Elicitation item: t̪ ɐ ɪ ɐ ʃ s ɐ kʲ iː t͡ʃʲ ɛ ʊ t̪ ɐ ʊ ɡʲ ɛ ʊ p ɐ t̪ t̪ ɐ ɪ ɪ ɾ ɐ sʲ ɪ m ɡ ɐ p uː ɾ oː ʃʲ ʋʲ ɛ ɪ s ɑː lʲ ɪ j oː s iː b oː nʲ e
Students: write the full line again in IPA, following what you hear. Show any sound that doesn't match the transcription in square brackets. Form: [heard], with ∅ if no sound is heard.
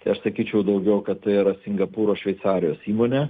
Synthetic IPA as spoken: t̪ ɐ ɪ ɐ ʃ s ɐ kʲ iː t͡ʃʲ ɛ ʊ [d̪] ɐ ʊ ɡʲ ɛ ʊ [k] ɐ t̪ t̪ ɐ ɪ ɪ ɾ ɐ sʲ ɪ [ŋ] ɡ ɐ p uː ɾ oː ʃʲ ʋʲ ɛ ɪ s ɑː [ɾʲ] ɪ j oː s iː [m] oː nʲ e